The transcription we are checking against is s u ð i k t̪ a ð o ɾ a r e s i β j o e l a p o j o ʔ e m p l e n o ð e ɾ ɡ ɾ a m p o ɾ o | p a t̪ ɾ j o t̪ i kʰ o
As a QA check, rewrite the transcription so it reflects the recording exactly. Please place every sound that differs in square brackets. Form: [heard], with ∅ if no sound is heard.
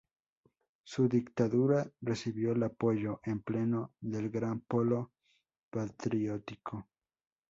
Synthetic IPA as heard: s u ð i k t̪ a ð [u] ɾ a r e s i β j o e l a p o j o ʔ e m p l e n o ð e [l] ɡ ɾ a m p o [l] o | p a t̪ ɾ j o t̪ i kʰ o